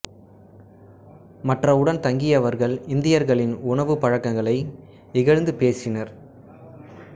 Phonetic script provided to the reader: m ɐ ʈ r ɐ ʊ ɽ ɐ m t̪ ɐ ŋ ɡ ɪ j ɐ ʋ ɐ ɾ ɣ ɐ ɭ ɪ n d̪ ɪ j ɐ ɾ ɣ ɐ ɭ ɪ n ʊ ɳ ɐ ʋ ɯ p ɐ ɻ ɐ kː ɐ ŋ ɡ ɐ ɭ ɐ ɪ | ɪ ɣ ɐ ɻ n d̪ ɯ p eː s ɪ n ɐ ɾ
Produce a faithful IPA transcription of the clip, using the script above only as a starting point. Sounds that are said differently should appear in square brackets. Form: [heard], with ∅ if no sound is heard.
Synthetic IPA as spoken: m ɐ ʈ r ɐ ʊ ɽ ɐ [n] t̪ ɐ ŋ ɡ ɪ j ɐ ʋ ɐ ɾ ɣ ɐ ɭ ɪ n d̪ ɪ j ɐ ɾ ɣ ɐ ɭ ɪ n ʊ ɳ ɐ ʋ ɯ p ɐ ɻ ɐ kː ɐ ŋ ɡ ɐ ɭ ɐ ɪ | ɪ ɣ ɐ ɻ n d̪ ɯ p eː s ɪ n ɐ ɾ